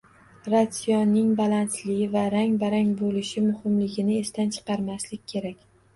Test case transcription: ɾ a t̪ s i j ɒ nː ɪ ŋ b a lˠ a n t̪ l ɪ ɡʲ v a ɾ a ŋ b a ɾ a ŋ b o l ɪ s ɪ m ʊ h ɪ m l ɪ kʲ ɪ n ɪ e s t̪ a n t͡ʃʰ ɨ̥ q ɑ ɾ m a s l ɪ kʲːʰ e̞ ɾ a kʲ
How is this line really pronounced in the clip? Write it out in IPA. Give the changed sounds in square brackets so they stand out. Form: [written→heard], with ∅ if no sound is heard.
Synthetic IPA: ɾ a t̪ s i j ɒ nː ɪ ŋ b a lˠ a n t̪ l ɪ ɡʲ v a ɾ a ŋ b a ɾ a ŋ b o l ɪ [s→ʃ] ɪ m ʊ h ɪ m l ɪ [kʲ→ɡʲ] ɪ n ɪ e s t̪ a n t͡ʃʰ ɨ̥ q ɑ ɾ m a s l ɪ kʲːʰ e̞ ɾ a kʲ